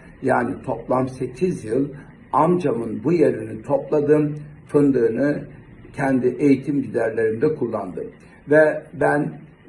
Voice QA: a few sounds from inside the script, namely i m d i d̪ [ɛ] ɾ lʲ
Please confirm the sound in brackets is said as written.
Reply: no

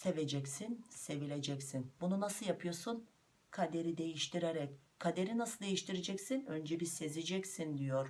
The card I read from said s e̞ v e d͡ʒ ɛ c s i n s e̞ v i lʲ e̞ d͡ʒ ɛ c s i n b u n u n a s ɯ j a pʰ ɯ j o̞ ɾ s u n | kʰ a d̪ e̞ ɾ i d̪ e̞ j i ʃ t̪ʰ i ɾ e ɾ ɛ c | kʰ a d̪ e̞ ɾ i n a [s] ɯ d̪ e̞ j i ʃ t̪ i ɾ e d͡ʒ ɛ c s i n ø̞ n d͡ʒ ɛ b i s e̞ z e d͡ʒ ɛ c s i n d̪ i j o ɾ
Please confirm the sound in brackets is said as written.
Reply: yes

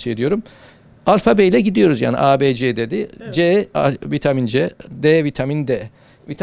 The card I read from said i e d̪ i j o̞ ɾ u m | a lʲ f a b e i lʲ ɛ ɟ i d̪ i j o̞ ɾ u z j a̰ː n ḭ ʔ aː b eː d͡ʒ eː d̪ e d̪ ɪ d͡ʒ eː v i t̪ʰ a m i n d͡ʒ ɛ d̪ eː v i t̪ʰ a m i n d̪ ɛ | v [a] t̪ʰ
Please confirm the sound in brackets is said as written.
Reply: no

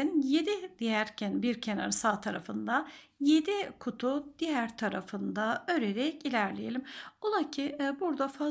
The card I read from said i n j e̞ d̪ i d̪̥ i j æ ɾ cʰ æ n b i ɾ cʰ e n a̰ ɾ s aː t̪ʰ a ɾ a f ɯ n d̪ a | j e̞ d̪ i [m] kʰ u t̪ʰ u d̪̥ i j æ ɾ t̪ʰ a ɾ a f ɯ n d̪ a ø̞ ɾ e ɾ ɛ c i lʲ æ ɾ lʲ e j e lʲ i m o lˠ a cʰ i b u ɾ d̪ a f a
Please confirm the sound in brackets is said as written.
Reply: no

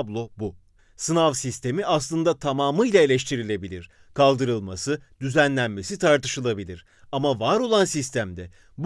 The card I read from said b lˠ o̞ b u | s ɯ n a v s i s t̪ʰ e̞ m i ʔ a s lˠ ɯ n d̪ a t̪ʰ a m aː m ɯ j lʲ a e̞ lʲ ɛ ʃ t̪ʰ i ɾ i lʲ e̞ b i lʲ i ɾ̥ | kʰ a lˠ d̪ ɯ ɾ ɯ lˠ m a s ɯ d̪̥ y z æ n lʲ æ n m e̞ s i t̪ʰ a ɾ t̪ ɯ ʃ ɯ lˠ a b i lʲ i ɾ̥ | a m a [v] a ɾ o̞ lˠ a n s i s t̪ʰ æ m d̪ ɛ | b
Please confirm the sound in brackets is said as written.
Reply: yes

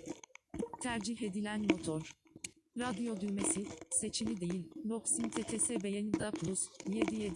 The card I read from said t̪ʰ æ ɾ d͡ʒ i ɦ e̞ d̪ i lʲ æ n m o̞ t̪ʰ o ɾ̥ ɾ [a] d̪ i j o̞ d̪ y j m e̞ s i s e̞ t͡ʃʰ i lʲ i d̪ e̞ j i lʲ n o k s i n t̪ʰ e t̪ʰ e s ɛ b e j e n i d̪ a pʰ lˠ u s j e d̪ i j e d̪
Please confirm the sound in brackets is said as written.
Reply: yes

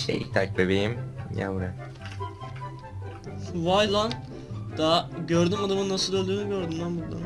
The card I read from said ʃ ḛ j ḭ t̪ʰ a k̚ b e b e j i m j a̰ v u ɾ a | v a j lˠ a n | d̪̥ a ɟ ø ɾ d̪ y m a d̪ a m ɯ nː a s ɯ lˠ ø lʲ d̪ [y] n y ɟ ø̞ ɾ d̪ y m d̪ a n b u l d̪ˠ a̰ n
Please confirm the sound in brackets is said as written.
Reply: no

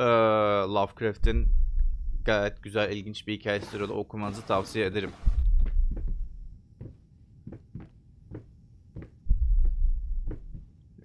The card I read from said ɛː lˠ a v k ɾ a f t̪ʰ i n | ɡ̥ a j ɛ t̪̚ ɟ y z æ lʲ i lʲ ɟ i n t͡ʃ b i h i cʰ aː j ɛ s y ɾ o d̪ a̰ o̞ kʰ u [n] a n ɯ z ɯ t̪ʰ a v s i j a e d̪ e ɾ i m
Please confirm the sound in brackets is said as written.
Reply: no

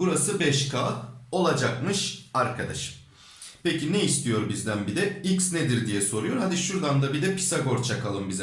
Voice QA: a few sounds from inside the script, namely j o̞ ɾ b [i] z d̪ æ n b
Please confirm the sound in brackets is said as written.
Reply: yes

